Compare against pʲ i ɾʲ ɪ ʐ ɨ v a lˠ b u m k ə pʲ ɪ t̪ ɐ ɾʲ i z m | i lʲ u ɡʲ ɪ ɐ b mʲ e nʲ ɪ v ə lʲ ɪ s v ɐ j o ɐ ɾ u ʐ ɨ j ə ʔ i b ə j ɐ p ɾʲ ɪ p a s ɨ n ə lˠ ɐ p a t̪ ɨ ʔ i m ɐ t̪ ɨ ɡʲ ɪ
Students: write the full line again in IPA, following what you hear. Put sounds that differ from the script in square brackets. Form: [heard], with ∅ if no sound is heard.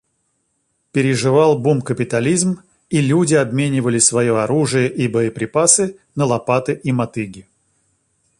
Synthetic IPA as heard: pʲ [ɪ] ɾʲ ɪ ʐ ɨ v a lˠ b u m k ə pʲ ɪ t̪ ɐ [lʲ] i z m | i lʲ u [dʲ] ɪ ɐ b mʲ e nʲ ɪ v ə lʲ ɪ s v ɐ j o ɐ ɾ u ʐ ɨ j ə ʔ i b ə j [ə] p ɾʲ ɪ p a s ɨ n ə lˠ ɐ p a t̪ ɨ ʔ i m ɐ t̪ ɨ ɡʲ ɪ